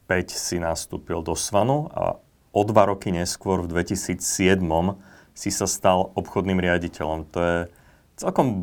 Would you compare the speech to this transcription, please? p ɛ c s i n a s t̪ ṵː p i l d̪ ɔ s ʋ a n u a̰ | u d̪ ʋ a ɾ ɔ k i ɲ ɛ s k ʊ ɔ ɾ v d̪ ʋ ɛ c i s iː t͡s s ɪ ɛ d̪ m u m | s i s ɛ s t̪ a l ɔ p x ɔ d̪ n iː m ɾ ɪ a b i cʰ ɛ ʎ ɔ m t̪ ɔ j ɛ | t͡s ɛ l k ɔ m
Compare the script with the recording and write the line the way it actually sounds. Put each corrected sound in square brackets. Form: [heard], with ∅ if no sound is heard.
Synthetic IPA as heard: p ɛ c s i n a s t̪ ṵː p i l d̪ ɔ s ʋ a n u a̰ | [ɔ] d̪ ʋ a ɾ ɔ k i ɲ ɛ s k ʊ ɔ ɾ v d̪ ʋ ɛ c i s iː t͡s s ɪ ɛ d̪ m [ɔ] m | s i s [a] s t̪ a l ɔ p x ɔ d̪ n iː m ɾ ɪ a [ɟ] i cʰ ɛ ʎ ɔ m t̪ ɔ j ɛ | t͡s ɛ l k ɔ m